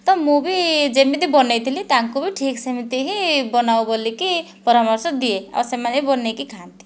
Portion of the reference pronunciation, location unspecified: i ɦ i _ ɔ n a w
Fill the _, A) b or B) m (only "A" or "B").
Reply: A